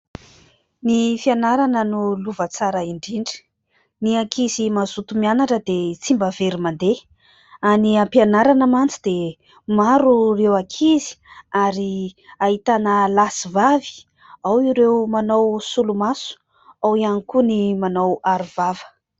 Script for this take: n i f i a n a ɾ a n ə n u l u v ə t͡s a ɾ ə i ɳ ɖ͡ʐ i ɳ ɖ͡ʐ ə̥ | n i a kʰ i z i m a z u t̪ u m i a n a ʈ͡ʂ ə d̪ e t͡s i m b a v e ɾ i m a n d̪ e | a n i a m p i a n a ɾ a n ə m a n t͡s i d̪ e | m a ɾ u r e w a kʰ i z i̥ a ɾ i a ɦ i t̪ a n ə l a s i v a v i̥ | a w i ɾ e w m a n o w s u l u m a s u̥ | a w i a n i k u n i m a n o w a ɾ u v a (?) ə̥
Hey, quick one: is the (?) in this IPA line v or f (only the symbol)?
v